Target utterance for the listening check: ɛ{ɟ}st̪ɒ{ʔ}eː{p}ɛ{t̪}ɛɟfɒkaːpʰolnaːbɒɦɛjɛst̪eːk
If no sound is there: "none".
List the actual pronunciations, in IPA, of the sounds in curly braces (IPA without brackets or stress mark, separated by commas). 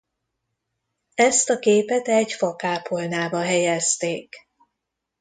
none, k, p, t̪